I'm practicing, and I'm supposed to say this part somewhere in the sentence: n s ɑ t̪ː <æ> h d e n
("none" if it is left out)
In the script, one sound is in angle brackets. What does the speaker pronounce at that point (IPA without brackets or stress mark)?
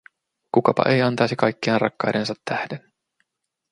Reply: æ